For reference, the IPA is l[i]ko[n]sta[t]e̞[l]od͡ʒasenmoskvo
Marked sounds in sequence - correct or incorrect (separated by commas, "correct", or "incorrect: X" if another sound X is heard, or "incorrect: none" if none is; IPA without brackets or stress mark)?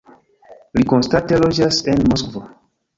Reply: correct, correct, correct, correct